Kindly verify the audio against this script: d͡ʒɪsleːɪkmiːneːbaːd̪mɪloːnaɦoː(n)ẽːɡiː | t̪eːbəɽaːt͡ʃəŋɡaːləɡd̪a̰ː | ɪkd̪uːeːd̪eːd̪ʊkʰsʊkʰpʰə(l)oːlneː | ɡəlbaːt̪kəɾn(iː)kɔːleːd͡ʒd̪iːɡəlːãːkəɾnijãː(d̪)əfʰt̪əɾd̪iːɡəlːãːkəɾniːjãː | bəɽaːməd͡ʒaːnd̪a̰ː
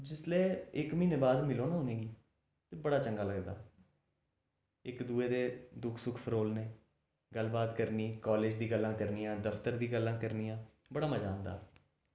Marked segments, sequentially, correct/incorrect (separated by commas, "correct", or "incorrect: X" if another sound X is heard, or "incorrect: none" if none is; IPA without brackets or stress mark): correct, incorrect: ɾ, correct, correct